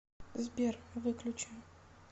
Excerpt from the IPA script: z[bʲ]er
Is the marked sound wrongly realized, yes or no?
no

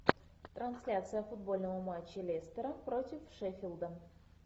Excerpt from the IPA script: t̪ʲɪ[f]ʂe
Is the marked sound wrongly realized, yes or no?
no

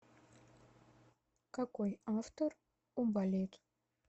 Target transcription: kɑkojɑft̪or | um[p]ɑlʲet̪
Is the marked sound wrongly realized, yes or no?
yes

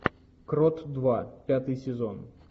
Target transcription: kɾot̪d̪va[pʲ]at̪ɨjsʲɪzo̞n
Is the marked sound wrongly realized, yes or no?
no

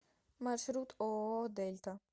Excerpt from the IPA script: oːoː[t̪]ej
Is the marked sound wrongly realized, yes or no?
yes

